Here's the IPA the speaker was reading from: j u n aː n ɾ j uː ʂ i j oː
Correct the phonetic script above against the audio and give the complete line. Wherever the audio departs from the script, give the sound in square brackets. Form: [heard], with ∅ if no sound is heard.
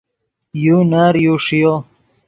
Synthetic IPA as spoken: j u n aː [∅] ɾ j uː ʂ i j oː